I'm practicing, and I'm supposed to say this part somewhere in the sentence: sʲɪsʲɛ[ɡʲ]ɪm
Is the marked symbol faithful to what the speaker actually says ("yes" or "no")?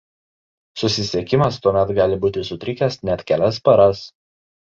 no